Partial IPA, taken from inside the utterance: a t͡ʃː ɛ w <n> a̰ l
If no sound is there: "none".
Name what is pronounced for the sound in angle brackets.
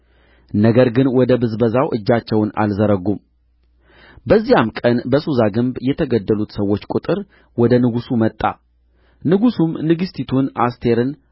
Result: n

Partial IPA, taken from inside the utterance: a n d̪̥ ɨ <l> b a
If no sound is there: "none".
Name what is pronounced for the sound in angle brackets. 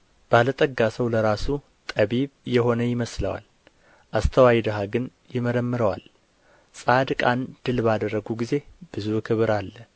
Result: l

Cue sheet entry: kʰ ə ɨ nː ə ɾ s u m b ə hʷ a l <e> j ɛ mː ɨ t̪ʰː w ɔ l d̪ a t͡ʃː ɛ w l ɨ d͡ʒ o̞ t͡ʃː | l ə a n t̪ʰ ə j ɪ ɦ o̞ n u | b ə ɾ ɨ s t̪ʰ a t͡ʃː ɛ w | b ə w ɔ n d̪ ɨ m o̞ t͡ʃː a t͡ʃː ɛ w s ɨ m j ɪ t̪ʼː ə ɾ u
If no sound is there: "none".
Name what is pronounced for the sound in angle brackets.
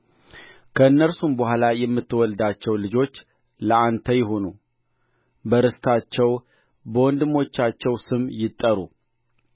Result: a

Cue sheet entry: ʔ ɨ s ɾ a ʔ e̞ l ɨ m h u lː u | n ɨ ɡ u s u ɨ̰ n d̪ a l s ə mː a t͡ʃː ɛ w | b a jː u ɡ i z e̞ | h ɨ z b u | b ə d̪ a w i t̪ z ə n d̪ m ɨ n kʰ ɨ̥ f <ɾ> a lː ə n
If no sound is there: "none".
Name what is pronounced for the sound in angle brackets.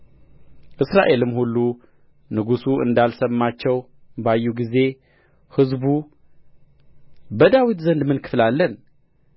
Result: l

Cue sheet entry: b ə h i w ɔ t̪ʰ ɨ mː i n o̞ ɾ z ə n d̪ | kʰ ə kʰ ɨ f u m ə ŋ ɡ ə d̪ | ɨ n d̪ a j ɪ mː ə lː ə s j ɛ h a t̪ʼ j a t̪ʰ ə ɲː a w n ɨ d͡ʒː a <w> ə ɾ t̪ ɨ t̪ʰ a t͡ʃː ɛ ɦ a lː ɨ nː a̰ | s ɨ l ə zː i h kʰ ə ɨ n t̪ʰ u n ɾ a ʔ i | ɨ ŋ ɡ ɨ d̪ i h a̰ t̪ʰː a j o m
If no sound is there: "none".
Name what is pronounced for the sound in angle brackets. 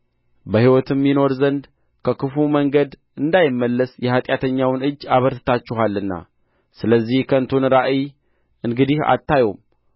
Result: β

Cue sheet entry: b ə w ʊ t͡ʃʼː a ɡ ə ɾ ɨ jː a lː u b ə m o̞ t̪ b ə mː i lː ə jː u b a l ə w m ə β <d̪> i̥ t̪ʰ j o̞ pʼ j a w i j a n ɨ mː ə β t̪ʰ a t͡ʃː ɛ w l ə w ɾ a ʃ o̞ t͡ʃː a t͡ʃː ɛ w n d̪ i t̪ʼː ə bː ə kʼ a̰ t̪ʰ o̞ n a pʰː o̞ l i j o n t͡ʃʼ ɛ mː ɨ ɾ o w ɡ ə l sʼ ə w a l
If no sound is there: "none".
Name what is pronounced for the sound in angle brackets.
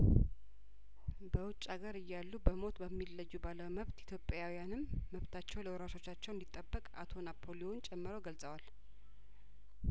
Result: t̪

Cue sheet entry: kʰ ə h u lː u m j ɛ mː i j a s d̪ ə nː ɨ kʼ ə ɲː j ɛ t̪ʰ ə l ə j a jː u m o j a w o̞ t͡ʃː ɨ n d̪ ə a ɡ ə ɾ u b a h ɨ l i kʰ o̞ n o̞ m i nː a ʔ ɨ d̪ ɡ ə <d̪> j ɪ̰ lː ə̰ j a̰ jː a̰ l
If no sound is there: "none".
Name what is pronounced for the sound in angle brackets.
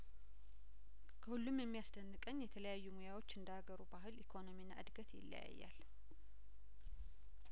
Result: t̪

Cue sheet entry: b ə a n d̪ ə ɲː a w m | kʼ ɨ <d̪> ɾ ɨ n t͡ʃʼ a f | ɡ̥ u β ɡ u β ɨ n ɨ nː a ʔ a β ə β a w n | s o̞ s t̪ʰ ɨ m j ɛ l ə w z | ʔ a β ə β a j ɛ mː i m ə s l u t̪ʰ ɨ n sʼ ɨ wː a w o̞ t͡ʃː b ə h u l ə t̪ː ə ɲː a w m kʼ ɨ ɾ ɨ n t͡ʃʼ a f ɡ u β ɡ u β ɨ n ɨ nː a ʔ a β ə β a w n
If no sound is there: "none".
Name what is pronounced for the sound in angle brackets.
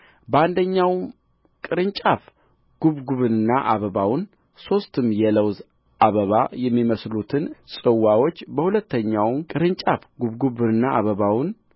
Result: none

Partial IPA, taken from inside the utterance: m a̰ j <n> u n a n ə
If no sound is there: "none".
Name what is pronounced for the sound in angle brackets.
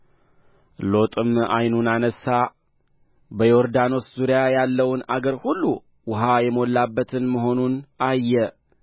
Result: n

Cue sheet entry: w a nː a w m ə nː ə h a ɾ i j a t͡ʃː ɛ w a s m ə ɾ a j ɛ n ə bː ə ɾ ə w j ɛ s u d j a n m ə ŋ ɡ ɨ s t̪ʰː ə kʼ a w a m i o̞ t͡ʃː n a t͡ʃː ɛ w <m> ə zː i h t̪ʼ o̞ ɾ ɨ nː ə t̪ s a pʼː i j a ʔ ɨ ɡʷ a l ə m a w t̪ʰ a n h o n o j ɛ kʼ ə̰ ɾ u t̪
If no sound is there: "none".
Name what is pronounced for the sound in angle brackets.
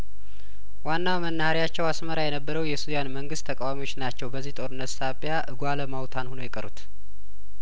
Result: b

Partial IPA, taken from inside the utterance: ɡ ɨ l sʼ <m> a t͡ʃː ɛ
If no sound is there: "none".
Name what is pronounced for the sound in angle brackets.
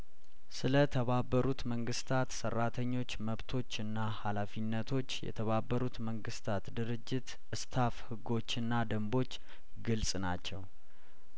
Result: n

